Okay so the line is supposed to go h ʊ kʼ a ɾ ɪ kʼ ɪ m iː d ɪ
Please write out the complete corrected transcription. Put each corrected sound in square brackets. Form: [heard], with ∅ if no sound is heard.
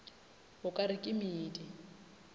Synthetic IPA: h ʊ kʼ a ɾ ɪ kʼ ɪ m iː d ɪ